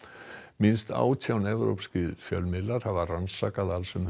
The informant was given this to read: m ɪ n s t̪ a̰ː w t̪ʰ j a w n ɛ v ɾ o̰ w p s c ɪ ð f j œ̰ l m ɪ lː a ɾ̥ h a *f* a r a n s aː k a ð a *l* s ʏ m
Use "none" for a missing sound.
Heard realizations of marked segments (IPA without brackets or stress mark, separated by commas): v, l